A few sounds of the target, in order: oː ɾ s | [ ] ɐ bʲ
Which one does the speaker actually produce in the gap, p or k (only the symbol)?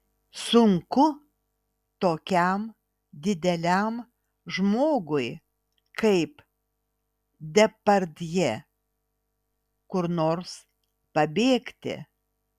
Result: p